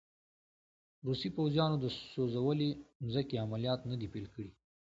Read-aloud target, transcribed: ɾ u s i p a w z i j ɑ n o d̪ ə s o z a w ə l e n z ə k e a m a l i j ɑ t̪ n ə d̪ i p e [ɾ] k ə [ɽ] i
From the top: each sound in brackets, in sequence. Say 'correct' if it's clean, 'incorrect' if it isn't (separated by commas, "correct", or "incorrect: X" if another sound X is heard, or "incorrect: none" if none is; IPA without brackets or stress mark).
incorrect: l, correct